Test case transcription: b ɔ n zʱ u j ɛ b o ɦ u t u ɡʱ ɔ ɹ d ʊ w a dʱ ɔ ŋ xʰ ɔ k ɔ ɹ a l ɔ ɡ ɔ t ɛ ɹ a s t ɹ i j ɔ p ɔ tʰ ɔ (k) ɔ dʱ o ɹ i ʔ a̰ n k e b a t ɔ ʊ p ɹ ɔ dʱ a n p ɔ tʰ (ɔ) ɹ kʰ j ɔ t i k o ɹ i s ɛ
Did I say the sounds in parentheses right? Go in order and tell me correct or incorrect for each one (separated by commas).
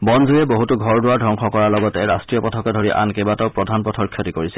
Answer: correct, correct